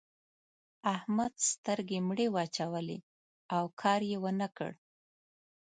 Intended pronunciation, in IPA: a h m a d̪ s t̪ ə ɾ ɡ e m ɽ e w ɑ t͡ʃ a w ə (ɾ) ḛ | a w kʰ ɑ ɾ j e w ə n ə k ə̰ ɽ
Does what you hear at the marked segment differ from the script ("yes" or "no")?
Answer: yes